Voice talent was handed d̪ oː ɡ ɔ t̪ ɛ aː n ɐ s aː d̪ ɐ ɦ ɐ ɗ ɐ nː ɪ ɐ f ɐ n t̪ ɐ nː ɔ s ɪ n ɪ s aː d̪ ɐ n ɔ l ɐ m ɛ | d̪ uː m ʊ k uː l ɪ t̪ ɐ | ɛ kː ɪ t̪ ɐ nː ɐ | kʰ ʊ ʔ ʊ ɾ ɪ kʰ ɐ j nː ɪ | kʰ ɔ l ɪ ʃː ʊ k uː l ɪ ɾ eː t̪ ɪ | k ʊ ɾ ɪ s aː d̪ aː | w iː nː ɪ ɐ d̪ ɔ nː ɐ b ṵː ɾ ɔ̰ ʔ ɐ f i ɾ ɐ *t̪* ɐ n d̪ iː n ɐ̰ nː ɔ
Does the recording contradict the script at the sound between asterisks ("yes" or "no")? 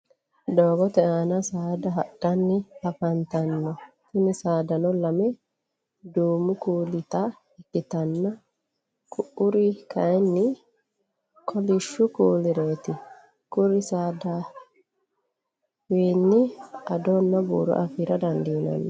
yes